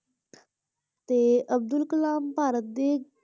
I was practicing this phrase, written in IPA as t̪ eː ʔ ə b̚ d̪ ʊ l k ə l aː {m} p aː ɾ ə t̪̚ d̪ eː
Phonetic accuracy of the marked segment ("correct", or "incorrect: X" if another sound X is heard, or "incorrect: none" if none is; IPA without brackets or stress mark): correct